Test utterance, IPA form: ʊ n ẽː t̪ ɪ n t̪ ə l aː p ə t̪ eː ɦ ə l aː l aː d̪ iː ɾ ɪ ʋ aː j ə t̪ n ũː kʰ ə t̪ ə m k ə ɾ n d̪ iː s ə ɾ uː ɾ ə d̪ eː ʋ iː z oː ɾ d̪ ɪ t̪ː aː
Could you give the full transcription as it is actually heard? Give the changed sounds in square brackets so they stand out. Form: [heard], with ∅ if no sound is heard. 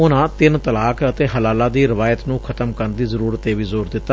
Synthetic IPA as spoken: ʊ n [ãː] t̪ ɪ n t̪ ə l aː [k] ə t̪ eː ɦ ə l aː l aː d̪ iː ɾ ɪ ʋ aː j ə t̪ n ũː kʰ ə t̪ ə m k ə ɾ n d̪ iː [z] ə ɾ uː ɾ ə [t̪] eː ʋ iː z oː ɾ d̪ ɪ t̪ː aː

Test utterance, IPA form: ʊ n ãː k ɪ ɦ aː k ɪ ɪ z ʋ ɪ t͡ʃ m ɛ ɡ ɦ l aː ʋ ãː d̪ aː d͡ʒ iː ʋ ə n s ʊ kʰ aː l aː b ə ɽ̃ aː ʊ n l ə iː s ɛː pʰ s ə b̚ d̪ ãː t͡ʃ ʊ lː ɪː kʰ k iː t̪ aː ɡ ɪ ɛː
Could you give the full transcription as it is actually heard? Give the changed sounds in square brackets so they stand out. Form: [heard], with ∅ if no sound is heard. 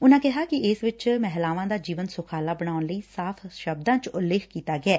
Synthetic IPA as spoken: ʊ n ãː k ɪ ɦ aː k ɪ ɪ [s] ʋ ɪ t͡ʃ m ɛ [∅] ɦ l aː ʋ ãː d̪ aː d͡ʒ iː ʋ ə n s ʊ kʰ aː l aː b ə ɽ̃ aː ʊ n l ə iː s [aː] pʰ [ʃ] ə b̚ d̪ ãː t͡ʃ ʊ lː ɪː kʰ k iː t̪ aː ɡ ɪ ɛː

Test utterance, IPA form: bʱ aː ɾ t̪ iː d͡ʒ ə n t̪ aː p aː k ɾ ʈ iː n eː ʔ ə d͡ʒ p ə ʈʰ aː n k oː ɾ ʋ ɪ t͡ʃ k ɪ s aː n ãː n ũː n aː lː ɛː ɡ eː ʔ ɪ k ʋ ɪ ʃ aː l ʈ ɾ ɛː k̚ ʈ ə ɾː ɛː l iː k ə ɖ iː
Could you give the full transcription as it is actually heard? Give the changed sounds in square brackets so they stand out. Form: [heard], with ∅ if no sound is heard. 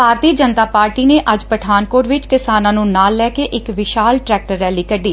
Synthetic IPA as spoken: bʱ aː ɾ t̪ iː d͡ʒ ə n t̪ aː p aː [∅] ɾ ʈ iː n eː ʔ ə d͡ʒ p ə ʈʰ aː n k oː ɾ ʋ ɪ t͡ʃ k ɪ s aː n ãː n ũː n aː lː ɛː [k] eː ʔ ɪ k ʋ ɪ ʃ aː l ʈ ɾ ɛː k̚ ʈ ə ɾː ɛː l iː k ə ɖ iː

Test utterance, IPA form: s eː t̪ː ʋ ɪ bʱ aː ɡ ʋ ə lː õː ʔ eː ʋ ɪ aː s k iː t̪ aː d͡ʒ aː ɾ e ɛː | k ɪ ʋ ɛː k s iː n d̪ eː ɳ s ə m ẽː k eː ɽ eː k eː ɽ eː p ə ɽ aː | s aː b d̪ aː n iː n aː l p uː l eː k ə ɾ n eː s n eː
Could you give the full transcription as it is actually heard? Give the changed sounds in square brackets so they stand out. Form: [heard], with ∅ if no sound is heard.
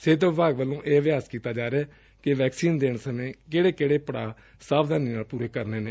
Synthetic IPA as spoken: s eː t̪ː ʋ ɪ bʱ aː ɡ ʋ ə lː õː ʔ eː ʋ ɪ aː s k iː t̪ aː d͡ʒ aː ɾ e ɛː | k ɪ ʋ ɛː k s iː n d̪ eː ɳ s ə m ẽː k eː ɽ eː k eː ɽ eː p ə ɽ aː | s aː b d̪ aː n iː n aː l p uː [ɾ] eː k ə ɾ n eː [∅] n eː

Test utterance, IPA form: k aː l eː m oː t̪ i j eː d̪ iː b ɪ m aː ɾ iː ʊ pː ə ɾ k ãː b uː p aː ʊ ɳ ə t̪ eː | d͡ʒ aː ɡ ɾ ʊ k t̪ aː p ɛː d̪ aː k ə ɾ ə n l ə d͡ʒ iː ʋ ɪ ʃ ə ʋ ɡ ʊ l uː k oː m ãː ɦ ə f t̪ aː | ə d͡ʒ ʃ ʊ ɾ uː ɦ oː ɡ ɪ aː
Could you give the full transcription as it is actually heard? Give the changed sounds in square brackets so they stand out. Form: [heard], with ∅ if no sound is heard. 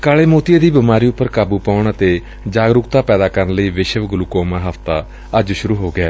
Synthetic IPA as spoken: k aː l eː m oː t̪ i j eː d̪ iː b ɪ m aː ɾ iː ʊ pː ə ɾ k [aː] b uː p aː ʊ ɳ ə t̪ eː | d͡ʒ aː ɡ ɾ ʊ k t̪ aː p ɛː d̪ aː k ə ɾ ə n l ə [∅] iː ʋ ɪ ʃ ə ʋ ɡ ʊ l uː k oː m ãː ɦ ə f t̪ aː | ə d͡ʒ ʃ ʊ ɾ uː ɦ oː ɡ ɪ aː

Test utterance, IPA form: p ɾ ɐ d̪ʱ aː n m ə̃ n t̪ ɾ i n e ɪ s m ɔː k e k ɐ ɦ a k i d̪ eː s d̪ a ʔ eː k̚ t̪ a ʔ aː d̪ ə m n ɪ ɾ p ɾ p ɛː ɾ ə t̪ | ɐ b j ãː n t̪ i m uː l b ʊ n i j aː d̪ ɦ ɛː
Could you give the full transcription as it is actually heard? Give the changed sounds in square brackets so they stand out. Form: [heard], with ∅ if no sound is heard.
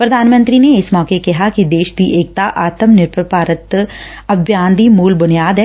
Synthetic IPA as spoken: p ɾ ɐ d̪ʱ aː n m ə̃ n t̪ ɾ i n e ɪ s m ɔː k e k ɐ ɦ a k i d̪ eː [ʃ] d̪ [i] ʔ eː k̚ t̪ a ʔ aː [t̪] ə m n ɪ ɾ p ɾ p [aː] ɾ ə t̪ | ɐ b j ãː n [d̪] i m uː l b ʊ n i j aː d̪ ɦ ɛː

